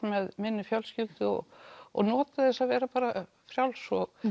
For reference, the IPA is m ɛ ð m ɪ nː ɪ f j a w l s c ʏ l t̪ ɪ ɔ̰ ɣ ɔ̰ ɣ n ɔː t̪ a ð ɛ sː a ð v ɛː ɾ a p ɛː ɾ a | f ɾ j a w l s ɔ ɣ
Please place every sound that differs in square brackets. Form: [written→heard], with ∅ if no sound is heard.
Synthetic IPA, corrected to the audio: m ɛ ð m ɪ nː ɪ f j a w l s c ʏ l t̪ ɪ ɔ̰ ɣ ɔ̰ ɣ n ɔː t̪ a [ð→θ] ɛ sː a ð v ɛː ɾ a p [ɛː→aː] ɾ a | f ɾ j a w l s ɔ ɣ